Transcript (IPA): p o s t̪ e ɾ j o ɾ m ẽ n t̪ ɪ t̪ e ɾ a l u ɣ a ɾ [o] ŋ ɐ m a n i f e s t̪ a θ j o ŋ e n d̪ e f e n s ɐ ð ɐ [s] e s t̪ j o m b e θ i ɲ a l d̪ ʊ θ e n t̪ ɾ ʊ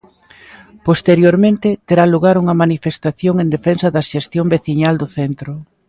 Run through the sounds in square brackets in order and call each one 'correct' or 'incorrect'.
incorrect: u, incorrect: ʃ

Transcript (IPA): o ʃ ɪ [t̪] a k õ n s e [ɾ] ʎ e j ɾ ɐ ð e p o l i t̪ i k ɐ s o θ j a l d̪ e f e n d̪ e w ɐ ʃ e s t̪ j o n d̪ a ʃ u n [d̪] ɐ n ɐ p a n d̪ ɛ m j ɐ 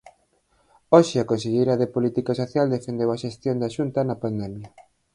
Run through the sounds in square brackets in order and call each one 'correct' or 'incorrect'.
incorrect: none, incorrect: none, incorrect: t̪

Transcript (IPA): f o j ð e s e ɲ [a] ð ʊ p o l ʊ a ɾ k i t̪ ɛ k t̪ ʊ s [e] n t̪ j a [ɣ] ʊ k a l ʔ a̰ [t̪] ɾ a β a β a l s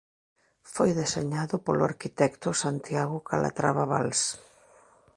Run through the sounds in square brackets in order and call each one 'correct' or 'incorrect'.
correct, incorrect: a, correct, correct

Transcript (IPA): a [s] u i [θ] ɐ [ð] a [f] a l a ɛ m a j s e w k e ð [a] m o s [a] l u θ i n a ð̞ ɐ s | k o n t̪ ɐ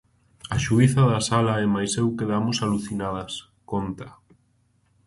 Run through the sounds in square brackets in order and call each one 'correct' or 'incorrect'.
incorrect: ʃ, correct, correct, incorrect: s, correct, correct

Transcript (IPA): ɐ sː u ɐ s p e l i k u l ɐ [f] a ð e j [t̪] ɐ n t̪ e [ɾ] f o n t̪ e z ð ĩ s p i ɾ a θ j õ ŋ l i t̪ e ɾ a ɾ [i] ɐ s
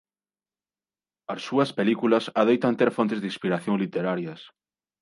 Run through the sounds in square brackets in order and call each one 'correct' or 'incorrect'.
incorrect: s, correct, correct, incorrect: j

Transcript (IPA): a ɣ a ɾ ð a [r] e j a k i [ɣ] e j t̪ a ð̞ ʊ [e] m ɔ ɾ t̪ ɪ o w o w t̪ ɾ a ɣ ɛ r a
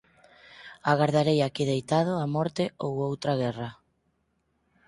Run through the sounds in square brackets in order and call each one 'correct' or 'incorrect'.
incorrect: ɾ, incorrect: ð, incorrect: a

